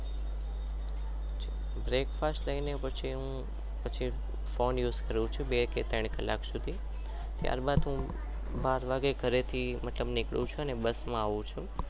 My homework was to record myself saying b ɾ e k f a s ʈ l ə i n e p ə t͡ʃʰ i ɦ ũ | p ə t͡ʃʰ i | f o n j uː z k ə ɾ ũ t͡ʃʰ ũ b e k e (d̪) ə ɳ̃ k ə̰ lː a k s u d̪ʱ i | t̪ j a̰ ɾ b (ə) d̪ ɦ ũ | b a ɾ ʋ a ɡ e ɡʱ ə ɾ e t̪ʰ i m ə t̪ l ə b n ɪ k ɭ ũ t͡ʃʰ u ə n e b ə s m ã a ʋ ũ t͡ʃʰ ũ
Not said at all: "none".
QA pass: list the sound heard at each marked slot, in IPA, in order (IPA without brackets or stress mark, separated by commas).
t̪, a